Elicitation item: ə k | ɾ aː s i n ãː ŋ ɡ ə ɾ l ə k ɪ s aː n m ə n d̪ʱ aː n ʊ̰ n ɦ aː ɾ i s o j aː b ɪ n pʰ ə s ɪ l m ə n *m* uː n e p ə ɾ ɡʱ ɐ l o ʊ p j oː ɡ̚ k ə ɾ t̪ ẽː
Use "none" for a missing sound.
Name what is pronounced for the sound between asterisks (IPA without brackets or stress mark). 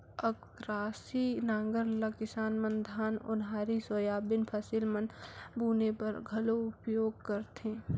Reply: b